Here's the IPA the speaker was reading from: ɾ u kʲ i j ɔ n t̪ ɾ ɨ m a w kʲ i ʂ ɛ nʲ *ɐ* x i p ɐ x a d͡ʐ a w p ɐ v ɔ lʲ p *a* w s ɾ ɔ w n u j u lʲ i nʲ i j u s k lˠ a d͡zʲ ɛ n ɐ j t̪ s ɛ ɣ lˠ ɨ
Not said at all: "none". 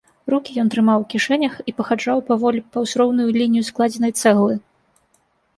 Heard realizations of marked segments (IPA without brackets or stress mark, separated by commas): ɐ, ɐ